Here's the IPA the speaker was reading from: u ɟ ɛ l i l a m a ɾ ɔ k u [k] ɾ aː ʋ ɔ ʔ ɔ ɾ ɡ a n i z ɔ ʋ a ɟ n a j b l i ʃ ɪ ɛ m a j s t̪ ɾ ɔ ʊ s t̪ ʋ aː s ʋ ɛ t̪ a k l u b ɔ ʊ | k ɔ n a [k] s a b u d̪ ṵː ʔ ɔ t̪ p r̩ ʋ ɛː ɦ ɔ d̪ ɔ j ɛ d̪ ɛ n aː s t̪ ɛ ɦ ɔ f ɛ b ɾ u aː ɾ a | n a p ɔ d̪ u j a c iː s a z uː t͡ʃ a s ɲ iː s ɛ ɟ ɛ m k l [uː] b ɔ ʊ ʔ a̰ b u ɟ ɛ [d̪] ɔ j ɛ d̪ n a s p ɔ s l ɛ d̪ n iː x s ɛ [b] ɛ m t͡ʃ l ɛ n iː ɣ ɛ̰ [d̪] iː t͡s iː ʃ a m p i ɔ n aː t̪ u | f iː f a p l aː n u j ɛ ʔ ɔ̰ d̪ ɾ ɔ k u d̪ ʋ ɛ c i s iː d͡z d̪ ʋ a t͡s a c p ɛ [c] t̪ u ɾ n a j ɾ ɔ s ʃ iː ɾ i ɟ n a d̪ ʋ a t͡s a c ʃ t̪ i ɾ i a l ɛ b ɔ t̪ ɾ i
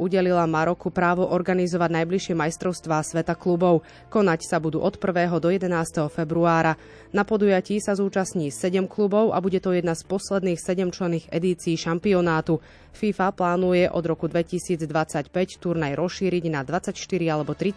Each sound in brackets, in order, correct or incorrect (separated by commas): incorrect, incorrect, incorrect, incorrect, incorrect, correct, correct